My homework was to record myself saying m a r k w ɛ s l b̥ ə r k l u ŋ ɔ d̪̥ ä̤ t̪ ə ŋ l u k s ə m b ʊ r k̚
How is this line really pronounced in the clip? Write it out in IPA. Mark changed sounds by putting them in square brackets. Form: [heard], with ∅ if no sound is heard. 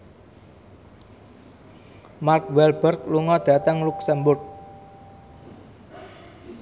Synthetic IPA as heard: m a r k w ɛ [∅] l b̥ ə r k l u ŋ ɔ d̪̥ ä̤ t̪ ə ŋ l u k s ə m b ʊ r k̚